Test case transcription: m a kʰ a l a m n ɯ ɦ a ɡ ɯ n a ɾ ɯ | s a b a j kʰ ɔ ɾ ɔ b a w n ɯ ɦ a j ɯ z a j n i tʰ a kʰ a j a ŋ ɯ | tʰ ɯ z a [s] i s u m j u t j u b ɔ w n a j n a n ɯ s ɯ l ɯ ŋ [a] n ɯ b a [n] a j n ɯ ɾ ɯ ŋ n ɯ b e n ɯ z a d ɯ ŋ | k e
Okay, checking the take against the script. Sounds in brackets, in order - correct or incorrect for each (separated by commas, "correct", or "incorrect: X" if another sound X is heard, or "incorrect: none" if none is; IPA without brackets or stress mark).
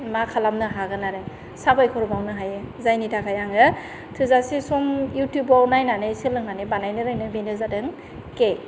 correct, correct, correct